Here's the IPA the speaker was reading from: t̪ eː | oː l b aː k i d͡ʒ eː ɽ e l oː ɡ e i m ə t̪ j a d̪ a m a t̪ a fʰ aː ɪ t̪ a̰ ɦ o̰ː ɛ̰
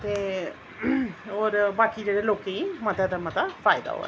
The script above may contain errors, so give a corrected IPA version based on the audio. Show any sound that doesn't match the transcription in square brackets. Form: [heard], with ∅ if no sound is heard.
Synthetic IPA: t̪ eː | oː [ɾ] b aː k i d͡ʒ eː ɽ e l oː [k] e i m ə t̪ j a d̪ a m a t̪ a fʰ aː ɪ [d̪] a̰ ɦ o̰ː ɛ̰

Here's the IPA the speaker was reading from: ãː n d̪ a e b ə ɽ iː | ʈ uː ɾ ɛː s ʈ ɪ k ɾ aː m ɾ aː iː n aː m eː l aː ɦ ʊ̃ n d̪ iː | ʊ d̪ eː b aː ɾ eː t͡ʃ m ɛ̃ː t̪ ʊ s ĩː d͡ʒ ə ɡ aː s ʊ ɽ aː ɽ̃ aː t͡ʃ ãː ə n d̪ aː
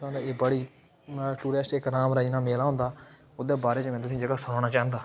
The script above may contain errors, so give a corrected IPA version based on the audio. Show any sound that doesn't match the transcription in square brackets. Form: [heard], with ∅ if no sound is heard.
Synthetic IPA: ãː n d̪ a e b ə ɽ iː | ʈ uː ɾ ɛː s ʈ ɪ k ɾ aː m ɾ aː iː n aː m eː l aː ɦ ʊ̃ n d̪ [aː] | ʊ d̪ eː b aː ɾ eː t͡ʃ m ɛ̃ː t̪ ʊ s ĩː d͡ʒ ə ɡ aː s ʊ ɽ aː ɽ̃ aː t͡ʃ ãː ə n d̪ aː

